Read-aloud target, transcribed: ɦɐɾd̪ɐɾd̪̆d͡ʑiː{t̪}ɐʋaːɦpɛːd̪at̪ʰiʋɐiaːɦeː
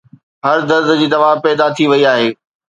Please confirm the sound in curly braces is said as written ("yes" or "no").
no